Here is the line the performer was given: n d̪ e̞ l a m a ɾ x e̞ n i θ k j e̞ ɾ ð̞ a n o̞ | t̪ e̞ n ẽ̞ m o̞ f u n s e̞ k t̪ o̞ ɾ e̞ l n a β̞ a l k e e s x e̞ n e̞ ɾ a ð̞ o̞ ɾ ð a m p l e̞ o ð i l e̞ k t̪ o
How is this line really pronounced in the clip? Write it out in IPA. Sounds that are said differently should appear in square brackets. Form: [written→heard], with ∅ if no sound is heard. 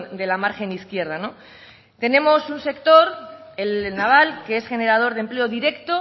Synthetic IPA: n d̪ e̞ l a m a ɾ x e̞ n i θ k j e̞ ɾ ð̞ a n o̞ | t̪ e̞ n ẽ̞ m o̞ [f→s] u n s e̞ k t̪ o̞ ɾ e̞ l n a β̞ a l k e e s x e̞ n e̞ ɾ a ð̞ o̞ ɾ ð [a→e] m p l e̞ o ð i [l→ɾ] e̞ k t̪ o